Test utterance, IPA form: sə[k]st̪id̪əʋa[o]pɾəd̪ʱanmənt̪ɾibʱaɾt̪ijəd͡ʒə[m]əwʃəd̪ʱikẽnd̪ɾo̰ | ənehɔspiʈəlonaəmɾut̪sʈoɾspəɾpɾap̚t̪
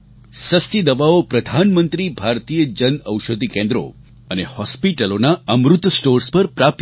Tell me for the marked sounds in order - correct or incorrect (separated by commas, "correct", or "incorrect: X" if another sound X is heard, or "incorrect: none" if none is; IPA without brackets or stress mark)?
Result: incorrect: none, correct, incorrect: n